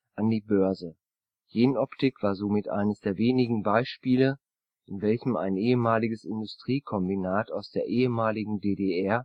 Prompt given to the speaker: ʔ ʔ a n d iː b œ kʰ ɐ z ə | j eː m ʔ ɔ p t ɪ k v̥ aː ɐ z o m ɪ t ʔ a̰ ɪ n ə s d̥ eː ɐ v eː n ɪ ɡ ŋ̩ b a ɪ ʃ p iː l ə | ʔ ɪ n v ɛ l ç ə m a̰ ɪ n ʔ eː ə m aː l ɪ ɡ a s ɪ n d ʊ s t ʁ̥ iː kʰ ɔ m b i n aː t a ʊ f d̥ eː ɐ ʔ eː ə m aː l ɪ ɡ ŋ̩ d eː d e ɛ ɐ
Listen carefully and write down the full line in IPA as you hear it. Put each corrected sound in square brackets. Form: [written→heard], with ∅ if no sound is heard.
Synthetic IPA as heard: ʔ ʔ a n d iː b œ [kʰ→∅] ɐ z ə | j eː [m→n] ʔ ɔ p t ɪ k v̥ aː ɐ z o m ɪ t ʔ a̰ ɪ n ə s d̥ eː ɐ v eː n ɪ ɡ ŋ̩ b a ɪ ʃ p iː l ə | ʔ ɪ n v ɛ l ç ə m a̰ ɪ n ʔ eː ə m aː l ɪ ɡ [a→ə] s ɪ n d ʊ s t ʁ̥ iː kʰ ɔ m b i n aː t a ʊ [f→s] d̥ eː ɐ ʔ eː ə m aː l ɪ ɡ ŋ̩ d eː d e ɛ ɐ